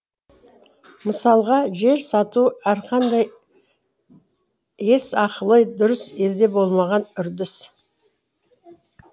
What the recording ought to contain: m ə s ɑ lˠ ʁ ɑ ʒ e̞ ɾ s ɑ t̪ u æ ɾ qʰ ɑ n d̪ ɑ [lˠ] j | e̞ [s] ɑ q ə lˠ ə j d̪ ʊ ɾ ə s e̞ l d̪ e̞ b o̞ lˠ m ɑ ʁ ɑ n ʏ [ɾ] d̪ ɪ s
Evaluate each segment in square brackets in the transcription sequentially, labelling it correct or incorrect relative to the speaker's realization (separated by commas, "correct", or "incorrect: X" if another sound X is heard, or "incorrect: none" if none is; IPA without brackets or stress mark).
incorrect: none, correct, correct